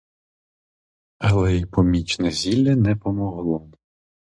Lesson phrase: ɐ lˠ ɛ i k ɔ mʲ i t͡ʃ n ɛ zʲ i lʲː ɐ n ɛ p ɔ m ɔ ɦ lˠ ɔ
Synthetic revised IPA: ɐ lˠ ɛ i p ɔ mʲ i t͡ʃ n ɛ zʲ i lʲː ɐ n ɛ p ɔ m ɔ ɦ lˠ ɔ